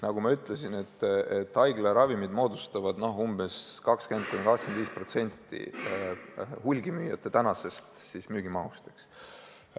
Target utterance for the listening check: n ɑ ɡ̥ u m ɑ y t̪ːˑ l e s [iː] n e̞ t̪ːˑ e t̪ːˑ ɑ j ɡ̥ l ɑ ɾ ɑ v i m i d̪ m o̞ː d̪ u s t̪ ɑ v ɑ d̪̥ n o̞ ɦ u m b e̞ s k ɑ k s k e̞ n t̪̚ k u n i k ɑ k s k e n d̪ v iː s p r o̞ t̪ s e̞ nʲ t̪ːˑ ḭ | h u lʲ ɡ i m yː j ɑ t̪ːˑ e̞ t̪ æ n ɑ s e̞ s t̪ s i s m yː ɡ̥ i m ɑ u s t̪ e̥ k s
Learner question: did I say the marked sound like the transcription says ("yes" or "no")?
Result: no